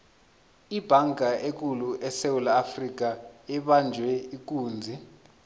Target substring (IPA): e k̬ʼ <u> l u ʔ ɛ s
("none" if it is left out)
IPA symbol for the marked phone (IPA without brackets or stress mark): u